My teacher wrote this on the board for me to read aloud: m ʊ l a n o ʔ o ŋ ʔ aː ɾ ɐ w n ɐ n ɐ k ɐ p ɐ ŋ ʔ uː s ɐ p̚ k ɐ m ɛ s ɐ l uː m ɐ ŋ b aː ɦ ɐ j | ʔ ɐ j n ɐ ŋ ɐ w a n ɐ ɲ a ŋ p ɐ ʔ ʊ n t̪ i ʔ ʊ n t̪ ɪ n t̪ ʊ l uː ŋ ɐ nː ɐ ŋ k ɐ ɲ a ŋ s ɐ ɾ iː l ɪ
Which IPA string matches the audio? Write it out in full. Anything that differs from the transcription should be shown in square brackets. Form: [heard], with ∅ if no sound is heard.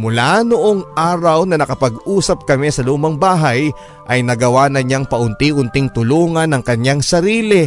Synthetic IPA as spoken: m ʊ l a n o ʔ o ŋ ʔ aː ɾ ɐ w n ɐ n ɐ k ɐ p ɐ [ɡ] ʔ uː s ɐ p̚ k ɐ m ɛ s ɐ l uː m ɐ ŋ b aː ɦ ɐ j | ʔ ɐ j n ɐ [ɡ] ɐ w a n ɐ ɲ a ŋ p ɐ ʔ ʊ n t̪ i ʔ ʊ n t̪ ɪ [ŋ] t̪ ʊ l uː ŋ ɐ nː ɐ ŋ k ɐ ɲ a ŋ s ɐ ɾ iː l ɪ